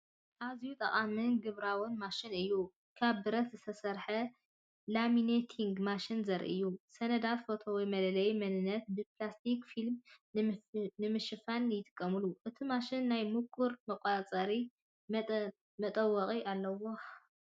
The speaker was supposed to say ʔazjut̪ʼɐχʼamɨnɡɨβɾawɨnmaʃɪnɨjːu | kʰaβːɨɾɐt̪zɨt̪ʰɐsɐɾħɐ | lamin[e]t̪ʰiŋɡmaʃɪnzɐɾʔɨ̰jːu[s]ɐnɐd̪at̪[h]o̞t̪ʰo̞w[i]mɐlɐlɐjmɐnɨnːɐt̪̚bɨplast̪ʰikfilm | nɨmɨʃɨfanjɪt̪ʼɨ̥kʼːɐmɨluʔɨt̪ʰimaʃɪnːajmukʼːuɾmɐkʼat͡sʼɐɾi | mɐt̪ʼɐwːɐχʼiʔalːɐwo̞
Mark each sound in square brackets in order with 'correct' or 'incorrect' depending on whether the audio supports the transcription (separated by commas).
correct, correct, incorrect, incorrect